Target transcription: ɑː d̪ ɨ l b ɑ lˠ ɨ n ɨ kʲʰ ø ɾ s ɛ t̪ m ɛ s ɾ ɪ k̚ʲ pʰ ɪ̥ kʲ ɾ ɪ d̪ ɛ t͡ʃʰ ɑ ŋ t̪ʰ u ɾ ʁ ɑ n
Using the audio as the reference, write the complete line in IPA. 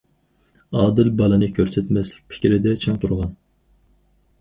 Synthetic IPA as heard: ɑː d̪ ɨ l b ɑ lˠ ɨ n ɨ kʲʰ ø ɾ s ɛ t̪ m ɛ s l ɪ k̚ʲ pʰ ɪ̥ kʲ ɾ ɪ d̪ ɛ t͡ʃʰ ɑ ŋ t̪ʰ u ɾ ʁ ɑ n